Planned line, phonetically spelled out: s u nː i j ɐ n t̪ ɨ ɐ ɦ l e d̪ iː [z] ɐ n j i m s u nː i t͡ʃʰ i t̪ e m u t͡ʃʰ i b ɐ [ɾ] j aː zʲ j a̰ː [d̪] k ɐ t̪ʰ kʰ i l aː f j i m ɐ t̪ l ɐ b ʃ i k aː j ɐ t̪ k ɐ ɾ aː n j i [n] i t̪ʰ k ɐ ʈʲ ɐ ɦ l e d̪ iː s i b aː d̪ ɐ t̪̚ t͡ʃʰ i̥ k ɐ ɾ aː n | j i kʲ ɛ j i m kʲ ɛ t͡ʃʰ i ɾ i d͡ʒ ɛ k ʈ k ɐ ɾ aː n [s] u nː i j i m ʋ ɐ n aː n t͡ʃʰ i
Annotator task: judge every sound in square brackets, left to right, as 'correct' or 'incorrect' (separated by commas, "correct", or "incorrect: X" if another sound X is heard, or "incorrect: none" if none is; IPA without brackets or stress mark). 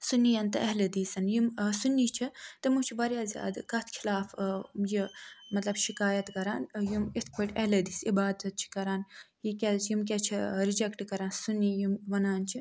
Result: incorrect: s, correct, correct, incorrect: m, correct